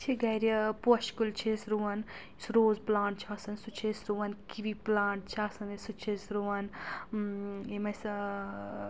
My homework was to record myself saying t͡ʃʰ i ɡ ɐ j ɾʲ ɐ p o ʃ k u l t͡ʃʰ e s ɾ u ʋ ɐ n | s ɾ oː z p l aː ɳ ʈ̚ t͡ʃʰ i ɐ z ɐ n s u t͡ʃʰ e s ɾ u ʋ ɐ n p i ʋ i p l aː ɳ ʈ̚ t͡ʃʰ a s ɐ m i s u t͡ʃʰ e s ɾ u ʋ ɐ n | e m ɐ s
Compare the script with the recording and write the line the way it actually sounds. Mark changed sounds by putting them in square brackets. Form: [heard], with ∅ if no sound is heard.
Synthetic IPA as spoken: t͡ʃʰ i ɡ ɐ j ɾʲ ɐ p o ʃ k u l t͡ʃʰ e s ɾ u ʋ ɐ n | s ɾ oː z p l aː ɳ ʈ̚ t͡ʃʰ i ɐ [s] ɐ n s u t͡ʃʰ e s ɾ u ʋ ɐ n [k] i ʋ i p l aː ɳ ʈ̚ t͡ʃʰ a s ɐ [n] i s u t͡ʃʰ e s ɾ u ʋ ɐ n | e m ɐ s